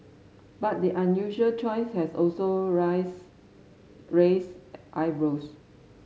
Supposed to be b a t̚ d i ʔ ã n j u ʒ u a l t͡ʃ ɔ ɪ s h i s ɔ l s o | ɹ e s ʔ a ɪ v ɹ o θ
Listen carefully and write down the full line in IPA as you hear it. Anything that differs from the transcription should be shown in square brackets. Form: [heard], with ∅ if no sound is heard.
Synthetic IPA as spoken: b a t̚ d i ʔ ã n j u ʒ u [ə] l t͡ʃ ɔ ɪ s h [ɛ] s ɔ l s o | ɹ e s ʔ a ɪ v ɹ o [s]